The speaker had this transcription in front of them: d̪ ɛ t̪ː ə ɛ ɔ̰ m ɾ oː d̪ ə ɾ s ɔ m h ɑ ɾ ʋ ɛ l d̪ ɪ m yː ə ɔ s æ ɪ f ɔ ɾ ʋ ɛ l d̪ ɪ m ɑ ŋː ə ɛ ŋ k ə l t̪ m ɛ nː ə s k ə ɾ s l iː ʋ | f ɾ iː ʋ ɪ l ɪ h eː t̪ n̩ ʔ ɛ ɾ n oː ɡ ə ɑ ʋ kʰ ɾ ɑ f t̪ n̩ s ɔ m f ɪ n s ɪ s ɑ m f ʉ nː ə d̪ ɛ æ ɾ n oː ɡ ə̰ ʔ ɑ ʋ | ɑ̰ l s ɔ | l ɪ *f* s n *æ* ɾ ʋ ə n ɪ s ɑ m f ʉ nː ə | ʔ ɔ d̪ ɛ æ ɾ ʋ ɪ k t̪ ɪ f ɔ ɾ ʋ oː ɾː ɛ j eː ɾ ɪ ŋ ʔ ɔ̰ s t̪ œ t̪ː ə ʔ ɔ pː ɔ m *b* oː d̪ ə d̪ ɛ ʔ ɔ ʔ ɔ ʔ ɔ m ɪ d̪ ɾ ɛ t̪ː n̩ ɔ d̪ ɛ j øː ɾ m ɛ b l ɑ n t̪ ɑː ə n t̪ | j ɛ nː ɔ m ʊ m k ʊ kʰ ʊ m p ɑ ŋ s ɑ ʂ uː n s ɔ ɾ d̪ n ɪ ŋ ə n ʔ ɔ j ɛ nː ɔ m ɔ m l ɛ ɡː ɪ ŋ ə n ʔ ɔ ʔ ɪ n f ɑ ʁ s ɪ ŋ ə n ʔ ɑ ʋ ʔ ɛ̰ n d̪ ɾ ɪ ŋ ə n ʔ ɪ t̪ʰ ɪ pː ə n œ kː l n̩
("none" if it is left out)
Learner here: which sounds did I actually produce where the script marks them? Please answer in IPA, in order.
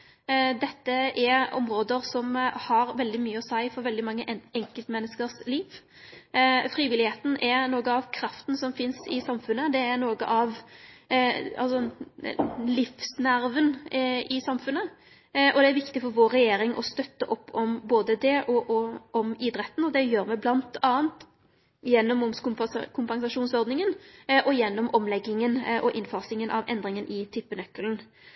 f, æ, b

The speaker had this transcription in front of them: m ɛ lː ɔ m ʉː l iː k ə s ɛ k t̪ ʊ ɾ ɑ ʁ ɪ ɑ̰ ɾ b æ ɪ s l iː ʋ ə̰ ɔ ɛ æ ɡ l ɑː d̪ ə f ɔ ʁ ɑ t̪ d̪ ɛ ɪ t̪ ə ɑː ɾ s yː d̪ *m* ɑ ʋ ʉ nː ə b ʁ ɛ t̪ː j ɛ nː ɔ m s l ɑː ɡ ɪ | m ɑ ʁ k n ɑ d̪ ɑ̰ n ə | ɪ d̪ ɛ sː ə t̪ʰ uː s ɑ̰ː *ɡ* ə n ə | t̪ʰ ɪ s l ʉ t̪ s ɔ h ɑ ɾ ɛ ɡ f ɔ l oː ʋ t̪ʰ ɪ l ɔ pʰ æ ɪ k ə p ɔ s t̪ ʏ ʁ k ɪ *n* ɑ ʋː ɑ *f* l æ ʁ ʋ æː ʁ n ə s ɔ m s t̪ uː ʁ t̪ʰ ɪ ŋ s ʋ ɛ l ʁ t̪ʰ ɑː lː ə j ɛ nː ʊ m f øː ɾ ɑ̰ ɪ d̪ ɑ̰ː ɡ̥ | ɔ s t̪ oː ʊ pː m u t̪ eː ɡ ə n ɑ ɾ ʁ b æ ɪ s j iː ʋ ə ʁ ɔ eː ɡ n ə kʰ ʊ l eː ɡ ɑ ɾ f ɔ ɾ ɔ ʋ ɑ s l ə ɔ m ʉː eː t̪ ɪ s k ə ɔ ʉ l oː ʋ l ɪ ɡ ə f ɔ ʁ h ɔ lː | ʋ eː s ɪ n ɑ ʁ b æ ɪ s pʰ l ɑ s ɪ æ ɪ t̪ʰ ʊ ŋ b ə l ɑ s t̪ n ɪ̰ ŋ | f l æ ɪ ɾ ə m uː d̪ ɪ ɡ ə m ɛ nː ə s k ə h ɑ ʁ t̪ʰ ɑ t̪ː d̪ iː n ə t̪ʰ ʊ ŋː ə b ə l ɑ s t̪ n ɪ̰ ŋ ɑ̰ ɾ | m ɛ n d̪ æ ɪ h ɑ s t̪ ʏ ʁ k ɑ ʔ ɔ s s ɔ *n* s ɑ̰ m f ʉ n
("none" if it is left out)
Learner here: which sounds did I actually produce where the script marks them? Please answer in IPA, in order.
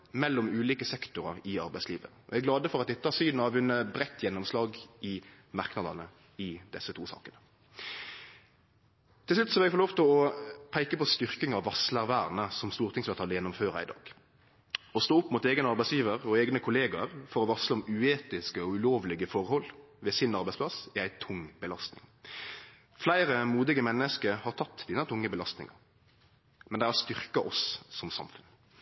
n, k, ŋ, s, m

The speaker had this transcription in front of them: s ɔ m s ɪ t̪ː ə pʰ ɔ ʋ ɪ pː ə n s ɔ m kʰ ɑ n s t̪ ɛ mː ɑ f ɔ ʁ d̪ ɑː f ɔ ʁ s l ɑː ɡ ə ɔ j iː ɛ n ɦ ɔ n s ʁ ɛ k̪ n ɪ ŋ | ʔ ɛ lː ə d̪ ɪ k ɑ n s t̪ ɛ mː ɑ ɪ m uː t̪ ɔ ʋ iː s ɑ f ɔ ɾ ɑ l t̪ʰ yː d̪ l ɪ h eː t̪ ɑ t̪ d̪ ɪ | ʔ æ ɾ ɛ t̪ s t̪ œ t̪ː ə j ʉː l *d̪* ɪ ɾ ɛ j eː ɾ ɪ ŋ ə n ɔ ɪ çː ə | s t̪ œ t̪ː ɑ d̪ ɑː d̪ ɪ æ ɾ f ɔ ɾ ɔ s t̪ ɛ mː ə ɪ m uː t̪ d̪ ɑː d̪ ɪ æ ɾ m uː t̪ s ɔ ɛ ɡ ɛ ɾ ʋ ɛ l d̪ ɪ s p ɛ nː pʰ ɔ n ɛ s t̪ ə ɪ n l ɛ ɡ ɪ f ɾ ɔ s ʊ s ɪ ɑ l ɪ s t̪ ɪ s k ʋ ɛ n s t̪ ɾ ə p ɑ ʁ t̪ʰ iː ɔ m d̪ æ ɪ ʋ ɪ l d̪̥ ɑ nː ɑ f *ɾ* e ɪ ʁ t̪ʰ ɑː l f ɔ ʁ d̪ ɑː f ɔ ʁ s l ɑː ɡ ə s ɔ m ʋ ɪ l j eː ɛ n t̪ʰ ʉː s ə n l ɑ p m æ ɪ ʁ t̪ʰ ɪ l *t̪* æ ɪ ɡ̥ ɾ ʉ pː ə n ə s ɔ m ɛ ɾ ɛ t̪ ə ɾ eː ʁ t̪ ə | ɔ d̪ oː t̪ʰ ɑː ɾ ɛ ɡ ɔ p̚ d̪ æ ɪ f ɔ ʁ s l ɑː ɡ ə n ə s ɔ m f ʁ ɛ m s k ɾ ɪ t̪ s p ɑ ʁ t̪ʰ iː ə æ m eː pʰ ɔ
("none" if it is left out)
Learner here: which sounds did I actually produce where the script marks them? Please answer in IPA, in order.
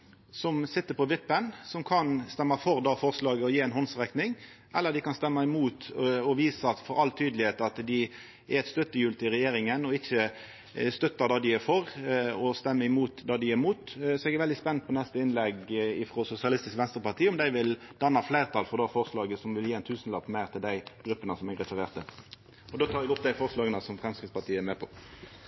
t̪, l, d̪

